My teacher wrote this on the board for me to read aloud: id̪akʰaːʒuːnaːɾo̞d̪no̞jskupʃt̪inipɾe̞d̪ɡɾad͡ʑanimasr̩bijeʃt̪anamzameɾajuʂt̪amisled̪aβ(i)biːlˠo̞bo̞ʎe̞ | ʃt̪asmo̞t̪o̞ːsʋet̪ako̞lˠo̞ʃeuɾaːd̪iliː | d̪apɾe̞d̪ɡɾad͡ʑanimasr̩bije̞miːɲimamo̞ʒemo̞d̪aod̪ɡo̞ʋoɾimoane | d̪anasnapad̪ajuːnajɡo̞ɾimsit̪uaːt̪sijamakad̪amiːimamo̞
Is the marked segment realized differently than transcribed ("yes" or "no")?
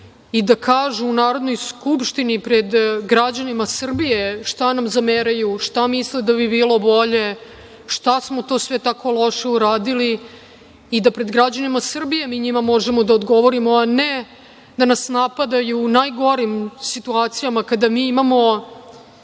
no